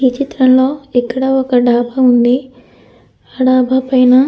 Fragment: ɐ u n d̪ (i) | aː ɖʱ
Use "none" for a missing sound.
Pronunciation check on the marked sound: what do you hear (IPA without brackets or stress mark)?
i